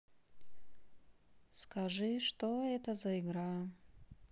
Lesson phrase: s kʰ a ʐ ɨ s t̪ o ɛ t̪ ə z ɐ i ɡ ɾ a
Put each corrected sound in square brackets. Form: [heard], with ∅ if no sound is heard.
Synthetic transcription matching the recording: s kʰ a ʐ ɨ [ʂ] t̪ o ɛ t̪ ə z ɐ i ɡ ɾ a